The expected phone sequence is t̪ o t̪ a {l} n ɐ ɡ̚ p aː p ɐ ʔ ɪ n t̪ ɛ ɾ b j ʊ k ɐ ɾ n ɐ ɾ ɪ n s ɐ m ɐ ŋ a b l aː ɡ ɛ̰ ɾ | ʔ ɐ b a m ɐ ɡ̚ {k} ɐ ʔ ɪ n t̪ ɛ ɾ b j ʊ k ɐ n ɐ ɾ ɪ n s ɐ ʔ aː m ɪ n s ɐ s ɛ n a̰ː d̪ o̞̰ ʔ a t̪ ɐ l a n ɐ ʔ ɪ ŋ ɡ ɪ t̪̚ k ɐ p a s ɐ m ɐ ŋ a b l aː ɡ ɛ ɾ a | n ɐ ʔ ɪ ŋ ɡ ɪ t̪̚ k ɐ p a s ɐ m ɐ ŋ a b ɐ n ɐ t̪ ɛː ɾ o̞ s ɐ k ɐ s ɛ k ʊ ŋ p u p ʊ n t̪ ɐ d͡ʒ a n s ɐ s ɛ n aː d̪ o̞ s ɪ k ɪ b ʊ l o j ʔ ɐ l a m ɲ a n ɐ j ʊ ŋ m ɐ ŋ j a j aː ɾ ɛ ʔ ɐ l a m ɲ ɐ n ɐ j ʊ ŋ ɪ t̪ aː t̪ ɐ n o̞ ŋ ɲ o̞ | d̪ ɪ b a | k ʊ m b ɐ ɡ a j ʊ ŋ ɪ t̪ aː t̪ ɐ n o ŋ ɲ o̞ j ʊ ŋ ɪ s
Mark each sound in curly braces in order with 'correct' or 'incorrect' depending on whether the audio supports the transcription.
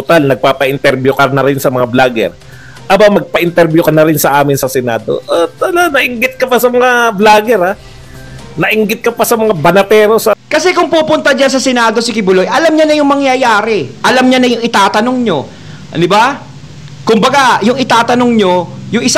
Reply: correct, incorrect: p

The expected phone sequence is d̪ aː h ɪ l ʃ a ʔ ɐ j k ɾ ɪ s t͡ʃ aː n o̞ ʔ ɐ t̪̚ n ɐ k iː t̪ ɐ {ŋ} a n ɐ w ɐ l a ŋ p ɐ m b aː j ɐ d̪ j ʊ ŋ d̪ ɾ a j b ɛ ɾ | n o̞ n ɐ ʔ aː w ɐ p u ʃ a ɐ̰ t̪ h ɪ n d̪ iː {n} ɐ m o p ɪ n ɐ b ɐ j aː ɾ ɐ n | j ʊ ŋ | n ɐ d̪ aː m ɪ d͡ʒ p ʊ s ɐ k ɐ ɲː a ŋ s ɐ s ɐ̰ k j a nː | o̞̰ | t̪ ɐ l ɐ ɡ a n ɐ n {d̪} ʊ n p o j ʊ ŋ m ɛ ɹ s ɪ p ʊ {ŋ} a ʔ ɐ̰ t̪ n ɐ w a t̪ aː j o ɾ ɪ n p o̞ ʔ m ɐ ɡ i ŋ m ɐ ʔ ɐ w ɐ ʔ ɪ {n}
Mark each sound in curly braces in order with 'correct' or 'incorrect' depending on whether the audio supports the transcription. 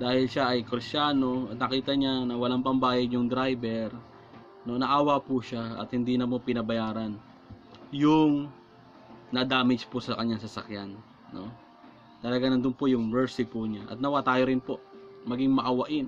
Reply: incorrect: ɲ, correct, correct, incorrect: ɲ, correct

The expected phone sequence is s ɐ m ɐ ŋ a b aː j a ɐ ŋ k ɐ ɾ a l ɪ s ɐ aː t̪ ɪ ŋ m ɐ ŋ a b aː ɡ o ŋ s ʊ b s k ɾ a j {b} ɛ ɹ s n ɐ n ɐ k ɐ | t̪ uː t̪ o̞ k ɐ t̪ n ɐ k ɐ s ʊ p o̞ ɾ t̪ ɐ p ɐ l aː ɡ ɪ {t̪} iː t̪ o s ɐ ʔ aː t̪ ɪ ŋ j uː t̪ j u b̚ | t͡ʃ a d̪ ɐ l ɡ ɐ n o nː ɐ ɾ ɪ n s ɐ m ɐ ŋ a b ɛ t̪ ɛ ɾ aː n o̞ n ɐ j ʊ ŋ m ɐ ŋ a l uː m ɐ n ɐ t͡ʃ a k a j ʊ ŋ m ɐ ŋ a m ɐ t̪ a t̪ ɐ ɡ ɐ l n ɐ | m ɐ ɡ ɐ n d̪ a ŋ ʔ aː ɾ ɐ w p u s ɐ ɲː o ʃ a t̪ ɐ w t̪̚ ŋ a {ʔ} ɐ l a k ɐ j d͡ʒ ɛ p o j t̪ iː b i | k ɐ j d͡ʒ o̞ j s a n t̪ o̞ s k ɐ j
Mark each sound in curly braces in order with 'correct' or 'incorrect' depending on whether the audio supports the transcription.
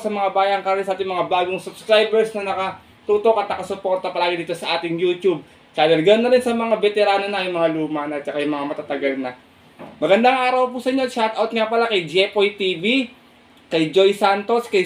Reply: correct, incorrect: d̪, incorrect: p

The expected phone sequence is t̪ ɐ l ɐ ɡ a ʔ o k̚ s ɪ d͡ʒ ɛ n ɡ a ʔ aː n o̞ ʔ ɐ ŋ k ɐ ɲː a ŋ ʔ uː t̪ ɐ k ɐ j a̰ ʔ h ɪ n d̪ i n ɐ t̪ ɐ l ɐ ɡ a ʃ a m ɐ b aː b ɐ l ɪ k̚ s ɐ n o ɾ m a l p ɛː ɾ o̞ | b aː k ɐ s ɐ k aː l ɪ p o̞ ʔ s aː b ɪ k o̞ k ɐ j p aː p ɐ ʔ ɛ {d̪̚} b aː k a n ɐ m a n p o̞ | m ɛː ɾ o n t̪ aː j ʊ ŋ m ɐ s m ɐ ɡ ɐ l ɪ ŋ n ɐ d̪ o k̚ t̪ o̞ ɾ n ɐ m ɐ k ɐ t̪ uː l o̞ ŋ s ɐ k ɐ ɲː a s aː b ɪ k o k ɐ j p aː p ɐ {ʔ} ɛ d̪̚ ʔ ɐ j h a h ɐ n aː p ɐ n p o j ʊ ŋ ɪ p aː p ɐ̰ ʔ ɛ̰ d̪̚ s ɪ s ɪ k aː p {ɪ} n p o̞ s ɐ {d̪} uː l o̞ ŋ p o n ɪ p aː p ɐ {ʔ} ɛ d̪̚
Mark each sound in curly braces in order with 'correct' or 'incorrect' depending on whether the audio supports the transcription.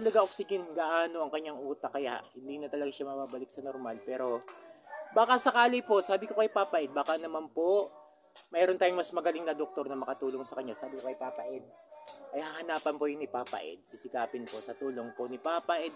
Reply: correct, correct, correct, incorrect: t̪, correct

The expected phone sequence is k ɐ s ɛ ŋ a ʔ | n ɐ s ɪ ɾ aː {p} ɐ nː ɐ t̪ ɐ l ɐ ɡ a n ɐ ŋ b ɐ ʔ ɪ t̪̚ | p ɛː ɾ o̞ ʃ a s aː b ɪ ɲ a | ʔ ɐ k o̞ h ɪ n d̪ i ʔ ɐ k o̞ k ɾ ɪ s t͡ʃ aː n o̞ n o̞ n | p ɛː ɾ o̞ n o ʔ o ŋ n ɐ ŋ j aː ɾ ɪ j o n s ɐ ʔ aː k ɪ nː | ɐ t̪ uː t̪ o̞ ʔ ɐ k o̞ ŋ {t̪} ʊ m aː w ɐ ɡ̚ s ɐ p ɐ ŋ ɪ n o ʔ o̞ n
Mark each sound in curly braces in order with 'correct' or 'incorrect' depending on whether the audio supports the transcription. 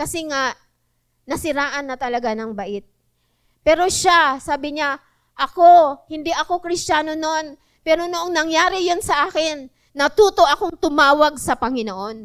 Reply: incorrect: ʔ, correct

